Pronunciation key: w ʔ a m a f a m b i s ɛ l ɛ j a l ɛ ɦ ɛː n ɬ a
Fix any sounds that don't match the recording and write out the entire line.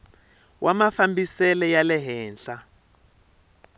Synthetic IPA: w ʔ a m a f a m b i s ɛ l ɛ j a l ɛ ɦ ɛː n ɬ a